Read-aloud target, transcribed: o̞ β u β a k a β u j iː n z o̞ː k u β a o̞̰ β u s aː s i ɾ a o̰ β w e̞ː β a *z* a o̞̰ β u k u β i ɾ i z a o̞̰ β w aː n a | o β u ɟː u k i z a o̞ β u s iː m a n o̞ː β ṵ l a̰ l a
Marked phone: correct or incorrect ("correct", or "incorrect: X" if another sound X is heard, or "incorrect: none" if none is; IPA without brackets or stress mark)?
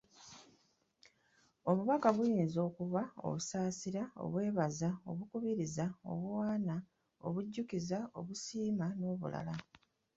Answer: correct